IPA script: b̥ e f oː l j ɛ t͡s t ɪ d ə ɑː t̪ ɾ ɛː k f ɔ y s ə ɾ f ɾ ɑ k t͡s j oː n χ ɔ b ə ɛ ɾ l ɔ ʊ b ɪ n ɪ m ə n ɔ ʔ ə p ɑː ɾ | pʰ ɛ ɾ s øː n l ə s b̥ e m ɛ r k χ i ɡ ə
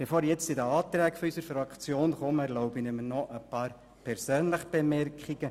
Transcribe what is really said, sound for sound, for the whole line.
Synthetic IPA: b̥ e f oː ɾ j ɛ t͡s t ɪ d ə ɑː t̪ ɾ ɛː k f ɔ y s ə ɾ f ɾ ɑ k t͡s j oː n χ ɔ m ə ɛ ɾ l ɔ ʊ b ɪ n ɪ m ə n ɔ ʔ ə p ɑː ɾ | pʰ ɛ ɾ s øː n l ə χ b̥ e m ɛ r k χ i ɡ ə

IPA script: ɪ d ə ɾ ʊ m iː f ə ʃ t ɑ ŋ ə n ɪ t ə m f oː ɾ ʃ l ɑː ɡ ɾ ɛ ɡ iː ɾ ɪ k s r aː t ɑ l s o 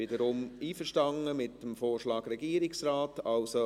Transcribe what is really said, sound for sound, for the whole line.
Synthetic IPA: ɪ d ə ɾ ʊ m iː f ə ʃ t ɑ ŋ ə m ɪ t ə m f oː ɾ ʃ l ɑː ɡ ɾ ɛ ɡ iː ɾ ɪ k s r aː t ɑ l s o

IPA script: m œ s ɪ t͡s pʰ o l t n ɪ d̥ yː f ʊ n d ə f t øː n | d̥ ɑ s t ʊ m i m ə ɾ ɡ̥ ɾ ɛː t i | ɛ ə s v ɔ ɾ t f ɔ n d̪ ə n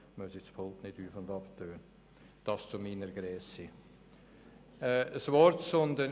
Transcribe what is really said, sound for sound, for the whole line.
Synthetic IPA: m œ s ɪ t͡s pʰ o l t n ɪ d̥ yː f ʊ n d ɑ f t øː n | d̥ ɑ s t͡s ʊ m i n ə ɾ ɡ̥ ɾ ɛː s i | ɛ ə s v ɔ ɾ t s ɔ n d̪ ə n

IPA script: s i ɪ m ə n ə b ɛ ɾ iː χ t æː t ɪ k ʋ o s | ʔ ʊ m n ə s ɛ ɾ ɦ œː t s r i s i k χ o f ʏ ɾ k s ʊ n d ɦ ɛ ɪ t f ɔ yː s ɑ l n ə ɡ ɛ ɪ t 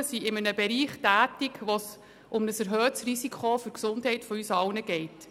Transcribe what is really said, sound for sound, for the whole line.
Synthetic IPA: s i ɪ m ə n ə b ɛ ɾ iː χ t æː t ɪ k ʋ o s | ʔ ʊ m n ə s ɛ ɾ ɦ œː t s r i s i k χ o f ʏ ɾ k s ʊ n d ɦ ɛ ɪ t f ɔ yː s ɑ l n ə ɡ ɛ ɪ t

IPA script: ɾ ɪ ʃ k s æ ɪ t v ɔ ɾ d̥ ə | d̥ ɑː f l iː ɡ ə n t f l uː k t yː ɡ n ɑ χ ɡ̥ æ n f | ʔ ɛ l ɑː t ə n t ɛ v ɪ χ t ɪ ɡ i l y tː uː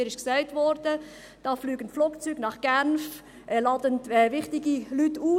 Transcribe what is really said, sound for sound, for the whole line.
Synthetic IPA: ɾ ɪ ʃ k s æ ɪ t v ɔ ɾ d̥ ə | d̥ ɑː f l yː ɡ ə n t f l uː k t͡s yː ɡ n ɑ χ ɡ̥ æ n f | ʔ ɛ l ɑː d ə n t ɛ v ɪ χ t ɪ ɡ i l y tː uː

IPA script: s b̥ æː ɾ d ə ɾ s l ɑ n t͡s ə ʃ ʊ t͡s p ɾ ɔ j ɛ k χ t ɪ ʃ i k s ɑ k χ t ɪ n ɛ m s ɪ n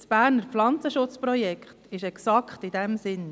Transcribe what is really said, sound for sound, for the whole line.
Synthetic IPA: s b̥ æː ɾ n ə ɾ f l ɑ n t͡s ə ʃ ʊ t͡s p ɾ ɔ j ɛ k χ t ɪ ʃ ɛ k s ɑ k χ t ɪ d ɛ m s ɪ n

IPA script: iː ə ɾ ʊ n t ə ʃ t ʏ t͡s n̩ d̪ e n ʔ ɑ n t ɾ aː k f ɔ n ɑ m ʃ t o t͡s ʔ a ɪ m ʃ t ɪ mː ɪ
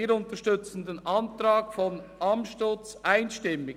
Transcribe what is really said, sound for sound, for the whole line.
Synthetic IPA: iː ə ɾ ʊ n t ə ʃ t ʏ t͡s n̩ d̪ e n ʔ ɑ n t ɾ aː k f ɔ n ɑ m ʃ t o t͡s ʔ a ɪ n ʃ t ɪ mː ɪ

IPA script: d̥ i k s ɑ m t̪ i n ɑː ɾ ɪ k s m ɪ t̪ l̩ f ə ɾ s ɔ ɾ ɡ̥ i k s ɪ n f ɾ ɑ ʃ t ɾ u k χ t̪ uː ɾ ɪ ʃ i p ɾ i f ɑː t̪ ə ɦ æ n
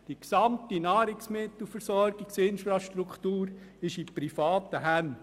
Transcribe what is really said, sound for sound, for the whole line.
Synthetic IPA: d̥ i k s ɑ m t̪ i n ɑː ɾ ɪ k s m ɪ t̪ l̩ f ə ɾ s ɔ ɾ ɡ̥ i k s ɪ n f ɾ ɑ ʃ t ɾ u k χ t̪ uː ɾ ɪ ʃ i p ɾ i f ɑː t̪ ə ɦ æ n

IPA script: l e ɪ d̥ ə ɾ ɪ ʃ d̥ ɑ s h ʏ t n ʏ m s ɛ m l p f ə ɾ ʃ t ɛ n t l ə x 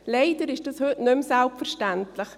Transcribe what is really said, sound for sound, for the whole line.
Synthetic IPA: l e ɪ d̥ ə ɾ ɪ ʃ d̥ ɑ s h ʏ t n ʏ m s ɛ l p f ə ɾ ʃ t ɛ n t l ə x

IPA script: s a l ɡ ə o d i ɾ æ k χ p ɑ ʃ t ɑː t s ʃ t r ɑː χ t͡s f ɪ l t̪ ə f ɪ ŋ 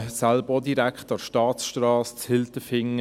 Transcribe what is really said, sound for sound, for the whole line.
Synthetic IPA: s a l b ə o d i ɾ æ k χ t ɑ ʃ t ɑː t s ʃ t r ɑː s t͡s h ɪ l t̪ ə f ɪ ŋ

